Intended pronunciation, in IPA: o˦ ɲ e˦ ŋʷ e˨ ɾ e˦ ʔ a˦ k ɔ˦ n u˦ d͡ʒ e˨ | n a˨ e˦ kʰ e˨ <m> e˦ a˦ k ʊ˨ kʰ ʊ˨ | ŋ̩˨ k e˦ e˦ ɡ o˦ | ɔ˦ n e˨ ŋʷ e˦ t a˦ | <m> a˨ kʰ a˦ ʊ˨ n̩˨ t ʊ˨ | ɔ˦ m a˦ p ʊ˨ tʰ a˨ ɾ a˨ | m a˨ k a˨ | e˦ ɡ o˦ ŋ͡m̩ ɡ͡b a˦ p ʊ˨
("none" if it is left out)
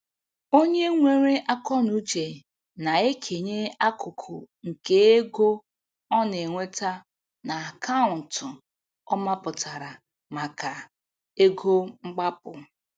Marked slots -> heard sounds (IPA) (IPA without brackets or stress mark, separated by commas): ɲ, n